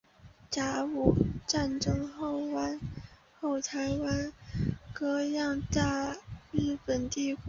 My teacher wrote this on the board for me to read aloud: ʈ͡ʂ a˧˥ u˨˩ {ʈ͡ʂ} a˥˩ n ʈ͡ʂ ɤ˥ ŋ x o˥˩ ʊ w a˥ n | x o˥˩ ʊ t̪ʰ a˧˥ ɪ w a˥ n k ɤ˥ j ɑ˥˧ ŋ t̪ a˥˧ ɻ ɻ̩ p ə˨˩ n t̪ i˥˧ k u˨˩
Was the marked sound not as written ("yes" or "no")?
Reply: no